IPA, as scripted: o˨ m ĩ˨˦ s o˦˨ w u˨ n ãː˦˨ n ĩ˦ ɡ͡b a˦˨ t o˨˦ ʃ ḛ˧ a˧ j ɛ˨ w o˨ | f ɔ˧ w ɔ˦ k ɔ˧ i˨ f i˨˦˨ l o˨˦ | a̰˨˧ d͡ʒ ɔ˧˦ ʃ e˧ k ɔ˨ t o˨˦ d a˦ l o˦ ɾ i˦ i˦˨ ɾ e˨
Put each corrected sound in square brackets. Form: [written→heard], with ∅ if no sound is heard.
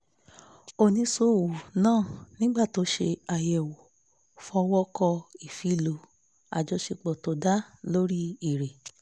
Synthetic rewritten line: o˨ [m→n] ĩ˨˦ s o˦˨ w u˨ n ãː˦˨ n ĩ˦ ɡ͡b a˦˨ t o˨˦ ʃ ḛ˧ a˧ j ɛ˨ w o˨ | f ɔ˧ w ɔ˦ k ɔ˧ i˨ f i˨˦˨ l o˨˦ | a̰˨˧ d͡ʒ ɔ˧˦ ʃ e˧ [k→k͡p] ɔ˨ t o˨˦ d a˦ l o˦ ɾ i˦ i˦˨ ɾ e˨